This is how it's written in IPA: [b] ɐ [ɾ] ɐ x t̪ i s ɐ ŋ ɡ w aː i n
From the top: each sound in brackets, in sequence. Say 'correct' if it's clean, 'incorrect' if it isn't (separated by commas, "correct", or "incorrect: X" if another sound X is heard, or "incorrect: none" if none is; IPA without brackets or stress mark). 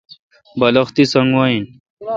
correct, incorrect: l